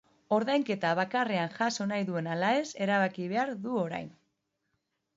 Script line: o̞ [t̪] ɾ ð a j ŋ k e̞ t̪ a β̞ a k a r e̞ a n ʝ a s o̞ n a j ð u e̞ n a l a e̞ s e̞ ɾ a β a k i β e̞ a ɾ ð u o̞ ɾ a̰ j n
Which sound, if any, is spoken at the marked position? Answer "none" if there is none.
none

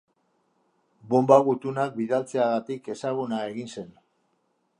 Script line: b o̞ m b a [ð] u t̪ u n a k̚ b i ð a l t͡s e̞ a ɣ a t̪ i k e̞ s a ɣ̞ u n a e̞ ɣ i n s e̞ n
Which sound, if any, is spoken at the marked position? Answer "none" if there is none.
ɣ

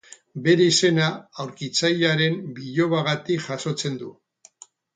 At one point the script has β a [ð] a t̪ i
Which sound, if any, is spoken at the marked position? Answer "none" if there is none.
ɣ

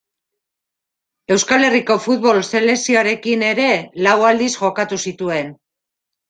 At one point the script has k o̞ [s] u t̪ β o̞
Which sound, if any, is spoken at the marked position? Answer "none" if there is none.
f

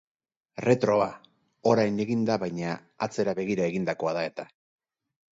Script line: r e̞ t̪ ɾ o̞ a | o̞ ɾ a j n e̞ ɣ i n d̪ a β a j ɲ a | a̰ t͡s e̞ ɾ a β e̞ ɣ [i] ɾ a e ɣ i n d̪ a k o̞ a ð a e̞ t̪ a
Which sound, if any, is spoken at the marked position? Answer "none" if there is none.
i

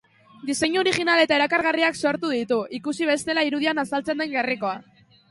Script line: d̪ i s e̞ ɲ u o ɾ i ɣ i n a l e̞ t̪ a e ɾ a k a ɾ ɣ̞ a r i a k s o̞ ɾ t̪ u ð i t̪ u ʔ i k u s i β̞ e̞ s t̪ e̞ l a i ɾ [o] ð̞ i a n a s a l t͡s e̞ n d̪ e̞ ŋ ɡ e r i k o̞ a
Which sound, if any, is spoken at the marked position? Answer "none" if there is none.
u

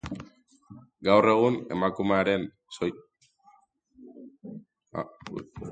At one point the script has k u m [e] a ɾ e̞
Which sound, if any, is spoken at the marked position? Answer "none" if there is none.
e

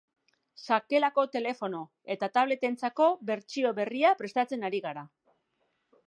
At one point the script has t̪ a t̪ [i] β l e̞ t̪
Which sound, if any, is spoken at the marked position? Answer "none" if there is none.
a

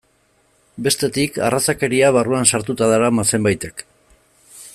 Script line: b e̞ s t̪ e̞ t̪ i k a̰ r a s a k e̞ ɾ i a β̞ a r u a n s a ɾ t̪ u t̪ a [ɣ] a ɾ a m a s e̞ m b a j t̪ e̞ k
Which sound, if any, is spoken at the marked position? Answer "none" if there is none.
ð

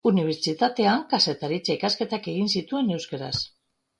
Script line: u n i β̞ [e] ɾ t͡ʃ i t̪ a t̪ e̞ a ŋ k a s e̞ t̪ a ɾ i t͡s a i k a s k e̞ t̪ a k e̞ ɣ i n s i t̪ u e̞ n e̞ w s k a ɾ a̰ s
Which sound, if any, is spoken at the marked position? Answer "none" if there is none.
e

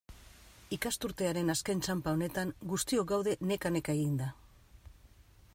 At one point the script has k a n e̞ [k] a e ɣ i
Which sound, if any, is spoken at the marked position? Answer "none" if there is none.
k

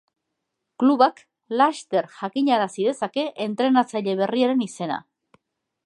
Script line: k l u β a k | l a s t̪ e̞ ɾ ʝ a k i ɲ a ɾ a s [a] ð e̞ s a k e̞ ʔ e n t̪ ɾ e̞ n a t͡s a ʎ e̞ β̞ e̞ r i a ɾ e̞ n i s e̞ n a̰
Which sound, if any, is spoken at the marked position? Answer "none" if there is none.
i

